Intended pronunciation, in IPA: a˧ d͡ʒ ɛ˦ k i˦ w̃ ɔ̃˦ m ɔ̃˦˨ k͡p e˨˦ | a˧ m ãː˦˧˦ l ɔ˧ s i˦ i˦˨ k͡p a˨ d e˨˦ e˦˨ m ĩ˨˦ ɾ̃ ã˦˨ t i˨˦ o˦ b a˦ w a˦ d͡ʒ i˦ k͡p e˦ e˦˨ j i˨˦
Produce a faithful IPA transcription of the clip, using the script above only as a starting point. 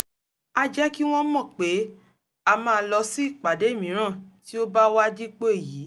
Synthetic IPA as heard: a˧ d͡ʒ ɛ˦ k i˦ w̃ ɔ̃˦ m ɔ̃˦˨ k͡p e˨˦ | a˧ m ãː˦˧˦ l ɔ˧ s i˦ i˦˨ k͡p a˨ d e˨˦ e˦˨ m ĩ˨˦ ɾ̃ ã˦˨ t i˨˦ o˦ b a˦ w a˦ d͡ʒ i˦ k͡p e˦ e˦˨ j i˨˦